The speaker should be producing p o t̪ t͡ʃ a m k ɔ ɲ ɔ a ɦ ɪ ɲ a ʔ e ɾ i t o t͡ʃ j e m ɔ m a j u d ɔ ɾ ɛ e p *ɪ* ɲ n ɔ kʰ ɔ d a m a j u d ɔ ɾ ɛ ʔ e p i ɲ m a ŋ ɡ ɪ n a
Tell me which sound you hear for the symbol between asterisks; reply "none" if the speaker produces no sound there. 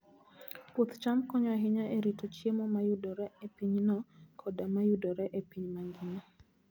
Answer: i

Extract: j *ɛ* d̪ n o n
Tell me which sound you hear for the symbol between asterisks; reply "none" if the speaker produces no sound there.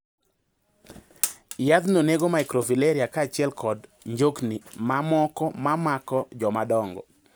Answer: a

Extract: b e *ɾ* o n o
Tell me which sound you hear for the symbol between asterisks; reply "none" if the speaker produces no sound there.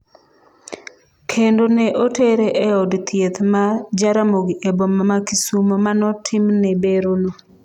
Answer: ɾ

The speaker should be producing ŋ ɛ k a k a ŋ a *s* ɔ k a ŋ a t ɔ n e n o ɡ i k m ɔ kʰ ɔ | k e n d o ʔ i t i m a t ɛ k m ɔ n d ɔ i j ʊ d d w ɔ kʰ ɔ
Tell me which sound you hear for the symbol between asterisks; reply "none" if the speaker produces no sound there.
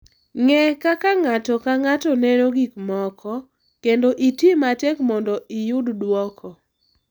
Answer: t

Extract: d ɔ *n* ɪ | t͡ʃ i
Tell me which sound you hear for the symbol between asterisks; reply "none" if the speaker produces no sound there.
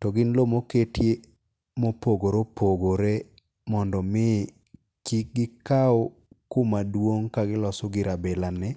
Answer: m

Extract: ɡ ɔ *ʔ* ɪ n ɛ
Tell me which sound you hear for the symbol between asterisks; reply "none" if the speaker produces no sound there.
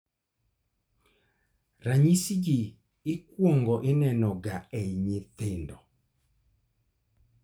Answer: ʔ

